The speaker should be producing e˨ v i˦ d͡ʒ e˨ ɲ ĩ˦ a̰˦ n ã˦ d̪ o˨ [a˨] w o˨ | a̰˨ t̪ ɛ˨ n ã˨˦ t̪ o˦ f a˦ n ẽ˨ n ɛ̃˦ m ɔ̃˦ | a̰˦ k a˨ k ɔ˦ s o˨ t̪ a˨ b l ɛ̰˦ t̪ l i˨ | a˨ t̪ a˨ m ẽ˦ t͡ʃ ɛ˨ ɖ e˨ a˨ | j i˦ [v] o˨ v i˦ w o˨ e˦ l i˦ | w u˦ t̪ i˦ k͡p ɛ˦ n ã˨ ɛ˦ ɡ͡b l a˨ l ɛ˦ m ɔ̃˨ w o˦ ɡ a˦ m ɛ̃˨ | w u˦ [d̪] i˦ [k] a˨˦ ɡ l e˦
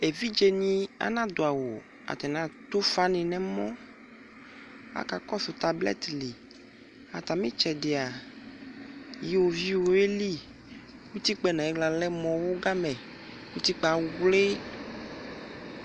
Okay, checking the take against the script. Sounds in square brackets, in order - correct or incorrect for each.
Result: correct, incorrect: w, incorrect: t̪, incorrect: k͡p

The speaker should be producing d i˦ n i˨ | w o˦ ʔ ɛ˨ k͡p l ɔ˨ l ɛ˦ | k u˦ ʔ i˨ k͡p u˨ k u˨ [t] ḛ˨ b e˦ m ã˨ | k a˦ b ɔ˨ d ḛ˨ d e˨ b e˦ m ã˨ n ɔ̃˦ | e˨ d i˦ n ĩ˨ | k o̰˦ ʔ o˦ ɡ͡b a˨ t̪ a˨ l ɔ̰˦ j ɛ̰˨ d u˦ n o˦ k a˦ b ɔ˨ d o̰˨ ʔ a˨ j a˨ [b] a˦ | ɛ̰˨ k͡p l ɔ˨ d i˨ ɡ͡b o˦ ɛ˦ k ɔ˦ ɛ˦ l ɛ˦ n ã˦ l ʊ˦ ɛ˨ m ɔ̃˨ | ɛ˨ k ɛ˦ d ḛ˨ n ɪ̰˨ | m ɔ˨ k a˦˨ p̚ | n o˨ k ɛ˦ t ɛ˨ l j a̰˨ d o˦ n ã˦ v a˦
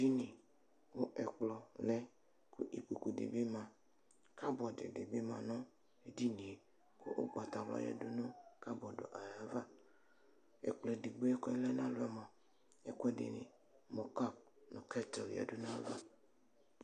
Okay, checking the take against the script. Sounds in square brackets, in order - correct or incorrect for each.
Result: incorrect: d, incorrect: v

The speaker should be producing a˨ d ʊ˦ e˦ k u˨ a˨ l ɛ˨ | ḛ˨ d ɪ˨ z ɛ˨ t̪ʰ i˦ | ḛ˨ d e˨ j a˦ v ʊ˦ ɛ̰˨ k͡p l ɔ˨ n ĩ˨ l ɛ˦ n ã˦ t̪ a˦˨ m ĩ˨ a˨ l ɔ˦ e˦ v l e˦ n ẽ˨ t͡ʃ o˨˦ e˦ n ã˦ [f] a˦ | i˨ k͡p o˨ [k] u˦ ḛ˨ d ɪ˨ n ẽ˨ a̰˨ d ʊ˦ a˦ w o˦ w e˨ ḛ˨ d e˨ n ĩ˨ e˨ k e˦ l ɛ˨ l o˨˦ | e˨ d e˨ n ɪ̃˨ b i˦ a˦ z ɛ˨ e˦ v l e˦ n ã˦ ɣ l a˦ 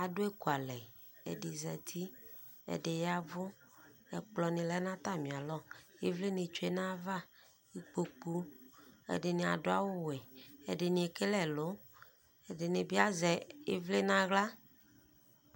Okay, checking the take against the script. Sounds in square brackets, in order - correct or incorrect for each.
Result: incorrect: v, incorrect: k͡p

